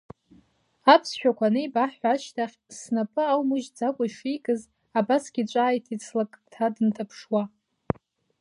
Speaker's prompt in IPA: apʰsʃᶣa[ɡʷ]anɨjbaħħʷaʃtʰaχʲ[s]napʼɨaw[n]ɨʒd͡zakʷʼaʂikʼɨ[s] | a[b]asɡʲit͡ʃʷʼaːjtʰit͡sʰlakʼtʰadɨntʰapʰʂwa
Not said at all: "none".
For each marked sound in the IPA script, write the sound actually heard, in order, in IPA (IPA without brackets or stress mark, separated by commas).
kʷ, s, m, z, b